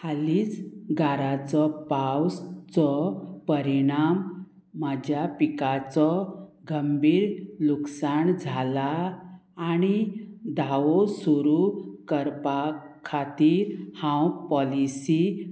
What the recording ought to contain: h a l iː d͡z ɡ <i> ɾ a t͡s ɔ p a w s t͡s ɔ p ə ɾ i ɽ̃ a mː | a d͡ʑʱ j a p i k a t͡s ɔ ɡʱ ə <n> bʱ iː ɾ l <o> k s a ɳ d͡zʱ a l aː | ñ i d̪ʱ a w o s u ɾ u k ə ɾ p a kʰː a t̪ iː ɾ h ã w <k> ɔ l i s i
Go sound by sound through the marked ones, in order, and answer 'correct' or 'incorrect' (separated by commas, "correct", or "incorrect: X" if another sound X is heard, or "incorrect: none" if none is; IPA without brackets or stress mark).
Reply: incorrect: a, incorrect: m, incorrect: u, incorrect: p